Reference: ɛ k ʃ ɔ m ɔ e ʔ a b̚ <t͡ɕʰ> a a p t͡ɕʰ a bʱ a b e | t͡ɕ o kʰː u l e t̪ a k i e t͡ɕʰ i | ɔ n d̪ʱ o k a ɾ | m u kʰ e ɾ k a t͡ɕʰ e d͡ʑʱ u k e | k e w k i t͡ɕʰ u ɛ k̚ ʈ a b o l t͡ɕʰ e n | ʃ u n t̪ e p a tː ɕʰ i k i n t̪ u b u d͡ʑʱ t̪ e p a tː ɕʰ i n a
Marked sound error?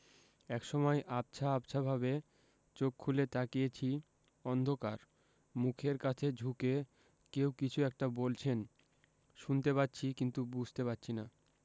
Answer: no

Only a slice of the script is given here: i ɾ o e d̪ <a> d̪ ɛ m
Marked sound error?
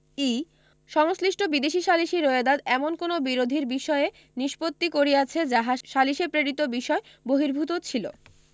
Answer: no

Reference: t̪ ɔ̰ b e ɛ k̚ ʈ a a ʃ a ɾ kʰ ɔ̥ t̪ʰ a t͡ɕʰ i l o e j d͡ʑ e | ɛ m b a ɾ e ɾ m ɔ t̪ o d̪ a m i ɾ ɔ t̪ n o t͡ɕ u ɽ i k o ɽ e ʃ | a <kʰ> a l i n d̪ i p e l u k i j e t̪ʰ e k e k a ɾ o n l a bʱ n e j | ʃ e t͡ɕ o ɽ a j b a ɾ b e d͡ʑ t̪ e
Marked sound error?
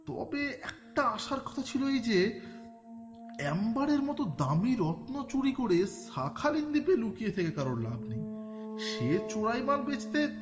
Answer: no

